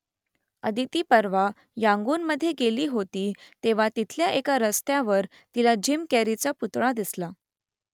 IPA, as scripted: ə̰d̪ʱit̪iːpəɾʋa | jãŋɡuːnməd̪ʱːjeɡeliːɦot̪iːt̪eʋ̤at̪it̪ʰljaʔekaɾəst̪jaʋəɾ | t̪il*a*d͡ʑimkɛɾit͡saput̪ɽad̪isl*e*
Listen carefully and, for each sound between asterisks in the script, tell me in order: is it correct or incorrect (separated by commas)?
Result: correct, incorrect